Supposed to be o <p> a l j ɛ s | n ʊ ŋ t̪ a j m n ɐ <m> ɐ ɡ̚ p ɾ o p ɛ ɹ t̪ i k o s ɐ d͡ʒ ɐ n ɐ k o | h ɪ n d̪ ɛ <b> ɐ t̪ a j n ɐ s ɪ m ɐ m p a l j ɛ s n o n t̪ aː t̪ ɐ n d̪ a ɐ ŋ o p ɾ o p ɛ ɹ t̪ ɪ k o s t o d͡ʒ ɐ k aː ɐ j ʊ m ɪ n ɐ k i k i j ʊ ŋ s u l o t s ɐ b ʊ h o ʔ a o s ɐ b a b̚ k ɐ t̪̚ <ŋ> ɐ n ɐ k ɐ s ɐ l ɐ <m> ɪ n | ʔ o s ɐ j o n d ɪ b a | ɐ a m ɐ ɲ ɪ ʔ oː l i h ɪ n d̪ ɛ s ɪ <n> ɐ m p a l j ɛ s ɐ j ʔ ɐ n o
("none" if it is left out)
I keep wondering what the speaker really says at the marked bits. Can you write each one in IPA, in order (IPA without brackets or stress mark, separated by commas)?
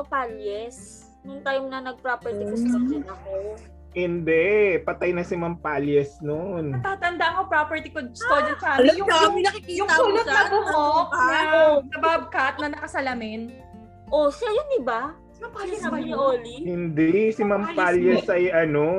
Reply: p, n, p, n, m, m